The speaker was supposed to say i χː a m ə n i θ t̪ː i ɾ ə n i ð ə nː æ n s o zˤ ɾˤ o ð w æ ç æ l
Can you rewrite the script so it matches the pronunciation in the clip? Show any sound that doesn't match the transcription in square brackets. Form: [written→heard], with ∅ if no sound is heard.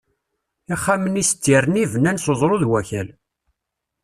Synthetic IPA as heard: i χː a m ə n i [θ→s] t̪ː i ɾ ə n i [ð→v] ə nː æ n s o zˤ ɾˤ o ð w æ ç æ l